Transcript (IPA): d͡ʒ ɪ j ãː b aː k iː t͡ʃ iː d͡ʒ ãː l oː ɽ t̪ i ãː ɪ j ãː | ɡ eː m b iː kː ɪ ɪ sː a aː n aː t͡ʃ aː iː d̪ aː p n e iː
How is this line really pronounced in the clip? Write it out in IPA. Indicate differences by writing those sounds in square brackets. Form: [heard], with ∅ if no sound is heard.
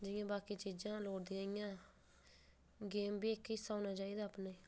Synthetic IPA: d͡ʒ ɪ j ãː b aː k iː t͡ʃ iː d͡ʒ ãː l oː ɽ [d̪] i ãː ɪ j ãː | ɡ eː m b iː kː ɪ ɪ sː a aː n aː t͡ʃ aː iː d̪ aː p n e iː